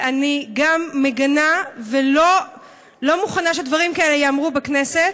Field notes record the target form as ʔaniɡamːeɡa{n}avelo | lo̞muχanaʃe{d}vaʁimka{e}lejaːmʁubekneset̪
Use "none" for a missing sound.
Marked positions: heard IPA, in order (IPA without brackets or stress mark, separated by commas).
n, d, e